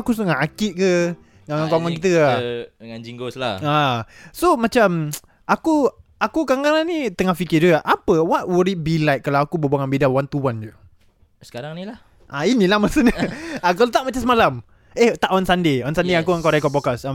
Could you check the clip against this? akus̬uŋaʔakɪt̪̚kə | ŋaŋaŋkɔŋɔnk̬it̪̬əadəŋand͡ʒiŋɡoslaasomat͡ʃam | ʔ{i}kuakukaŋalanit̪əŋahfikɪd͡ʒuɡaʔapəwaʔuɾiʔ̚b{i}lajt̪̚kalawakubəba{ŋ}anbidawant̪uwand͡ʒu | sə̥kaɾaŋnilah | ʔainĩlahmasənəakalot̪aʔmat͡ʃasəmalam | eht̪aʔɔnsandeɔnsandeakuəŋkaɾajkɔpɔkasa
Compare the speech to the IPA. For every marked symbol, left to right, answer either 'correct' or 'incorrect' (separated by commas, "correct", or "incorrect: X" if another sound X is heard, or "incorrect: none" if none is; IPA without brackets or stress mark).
incorrect: a, correct, correct